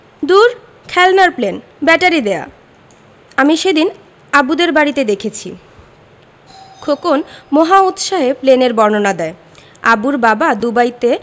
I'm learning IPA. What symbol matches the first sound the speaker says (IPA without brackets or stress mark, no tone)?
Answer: d̪